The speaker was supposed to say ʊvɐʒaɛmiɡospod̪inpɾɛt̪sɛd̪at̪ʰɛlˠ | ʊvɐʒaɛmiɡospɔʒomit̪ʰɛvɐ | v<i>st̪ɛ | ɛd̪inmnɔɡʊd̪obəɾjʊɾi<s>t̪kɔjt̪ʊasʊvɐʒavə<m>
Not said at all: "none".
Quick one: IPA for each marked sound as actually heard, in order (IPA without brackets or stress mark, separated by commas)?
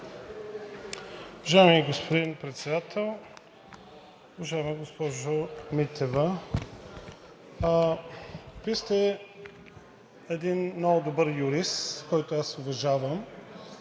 i, s, m